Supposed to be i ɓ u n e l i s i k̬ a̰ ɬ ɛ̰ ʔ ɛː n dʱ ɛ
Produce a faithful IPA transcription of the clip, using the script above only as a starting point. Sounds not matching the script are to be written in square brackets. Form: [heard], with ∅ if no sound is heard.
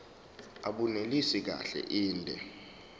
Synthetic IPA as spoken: [a] ɓ u n e l i s i k̬ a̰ ɬ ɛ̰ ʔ [iː] n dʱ ɛ

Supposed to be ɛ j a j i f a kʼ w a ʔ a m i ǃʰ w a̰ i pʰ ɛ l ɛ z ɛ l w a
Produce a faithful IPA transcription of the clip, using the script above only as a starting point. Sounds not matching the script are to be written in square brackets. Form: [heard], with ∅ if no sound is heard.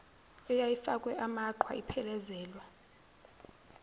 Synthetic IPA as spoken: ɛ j a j i f a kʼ w [ɛ] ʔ a m [a] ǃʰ w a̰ i pʰ ɛ l ɛ z [ɛː] l w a

